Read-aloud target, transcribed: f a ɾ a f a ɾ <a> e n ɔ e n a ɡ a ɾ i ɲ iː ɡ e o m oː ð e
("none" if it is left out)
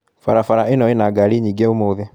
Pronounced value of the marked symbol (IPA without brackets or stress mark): a